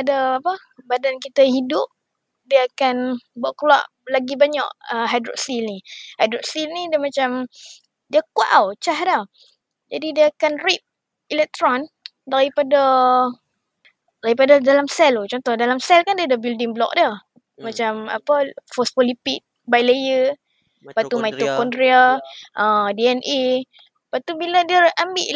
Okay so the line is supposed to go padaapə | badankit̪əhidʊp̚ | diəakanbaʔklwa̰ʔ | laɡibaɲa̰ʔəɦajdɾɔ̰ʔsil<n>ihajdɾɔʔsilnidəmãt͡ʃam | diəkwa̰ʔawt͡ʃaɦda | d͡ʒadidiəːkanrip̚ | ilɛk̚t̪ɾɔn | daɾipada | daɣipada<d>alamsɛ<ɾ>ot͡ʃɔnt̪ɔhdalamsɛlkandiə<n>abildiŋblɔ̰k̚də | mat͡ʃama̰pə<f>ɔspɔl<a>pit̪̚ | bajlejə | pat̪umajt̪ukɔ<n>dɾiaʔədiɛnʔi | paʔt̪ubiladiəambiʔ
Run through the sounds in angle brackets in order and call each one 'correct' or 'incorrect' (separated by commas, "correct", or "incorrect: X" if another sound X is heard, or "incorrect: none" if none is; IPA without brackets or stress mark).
correct, correct, incorrect: l, incorrect: d, correct, incorrect: i, correct